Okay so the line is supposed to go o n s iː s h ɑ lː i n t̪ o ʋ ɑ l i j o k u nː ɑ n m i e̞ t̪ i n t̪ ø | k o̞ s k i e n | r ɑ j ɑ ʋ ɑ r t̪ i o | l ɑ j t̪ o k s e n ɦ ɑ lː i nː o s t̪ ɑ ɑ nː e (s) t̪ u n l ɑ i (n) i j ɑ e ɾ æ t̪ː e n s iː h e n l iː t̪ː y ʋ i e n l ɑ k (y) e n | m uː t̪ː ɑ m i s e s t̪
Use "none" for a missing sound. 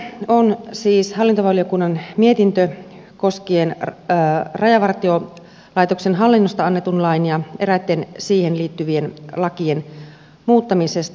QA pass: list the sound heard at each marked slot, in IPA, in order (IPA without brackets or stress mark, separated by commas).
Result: none, n, i